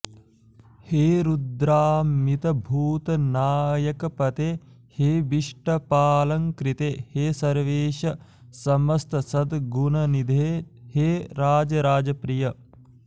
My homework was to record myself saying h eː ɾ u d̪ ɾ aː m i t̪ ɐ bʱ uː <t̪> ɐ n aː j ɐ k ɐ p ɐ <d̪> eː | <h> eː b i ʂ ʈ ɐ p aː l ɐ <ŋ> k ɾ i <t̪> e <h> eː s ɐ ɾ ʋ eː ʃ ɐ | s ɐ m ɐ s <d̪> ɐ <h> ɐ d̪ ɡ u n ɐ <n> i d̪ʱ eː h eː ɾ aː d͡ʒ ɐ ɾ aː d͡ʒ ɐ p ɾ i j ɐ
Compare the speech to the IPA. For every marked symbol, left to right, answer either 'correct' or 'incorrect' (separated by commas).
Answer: correct, incorrect, correct, correct, correct, correct, incorrect, incorrect, correct